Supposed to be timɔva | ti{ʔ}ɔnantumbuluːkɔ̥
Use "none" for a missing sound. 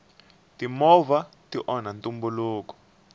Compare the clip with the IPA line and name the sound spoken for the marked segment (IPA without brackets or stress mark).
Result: ʔ